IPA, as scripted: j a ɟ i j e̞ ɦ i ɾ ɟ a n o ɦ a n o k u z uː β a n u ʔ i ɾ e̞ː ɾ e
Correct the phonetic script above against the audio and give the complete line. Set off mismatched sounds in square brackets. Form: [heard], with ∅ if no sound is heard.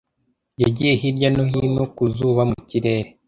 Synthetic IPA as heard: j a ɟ i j e̞ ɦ i ɾ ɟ a n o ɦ [i] n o k u z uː β a [m] u [c] i ɾ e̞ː ɾ e

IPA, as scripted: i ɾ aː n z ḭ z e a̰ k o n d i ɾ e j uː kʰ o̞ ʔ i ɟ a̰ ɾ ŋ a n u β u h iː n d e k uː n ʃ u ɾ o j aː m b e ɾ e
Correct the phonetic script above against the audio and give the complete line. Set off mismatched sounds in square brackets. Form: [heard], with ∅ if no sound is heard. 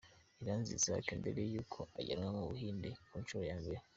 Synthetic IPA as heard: i ɾ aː n z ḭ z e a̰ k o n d [e] ɾ e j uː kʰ o̞ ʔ [a] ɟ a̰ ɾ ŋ a [m] u β u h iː n d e k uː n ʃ u ɾ o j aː m b e ɾ e

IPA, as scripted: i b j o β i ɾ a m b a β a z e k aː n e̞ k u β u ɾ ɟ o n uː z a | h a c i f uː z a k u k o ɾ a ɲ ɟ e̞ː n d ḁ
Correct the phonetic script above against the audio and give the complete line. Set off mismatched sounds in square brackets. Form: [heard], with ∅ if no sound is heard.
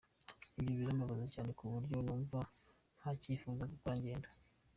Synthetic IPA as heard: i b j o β i ɾ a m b a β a z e [c] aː n e̞ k u β u ɾ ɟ o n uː [v] a | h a c i f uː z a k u k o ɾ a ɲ ɟ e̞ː n d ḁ

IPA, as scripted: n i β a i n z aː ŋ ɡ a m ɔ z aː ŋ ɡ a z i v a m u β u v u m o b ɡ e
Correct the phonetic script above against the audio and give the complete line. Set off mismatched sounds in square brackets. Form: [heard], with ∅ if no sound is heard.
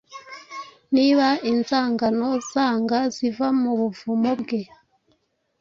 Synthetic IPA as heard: n i β a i n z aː ŋ ɡ a [n] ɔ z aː ŋ ɡ a z i v a m u β u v u m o b ɡ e

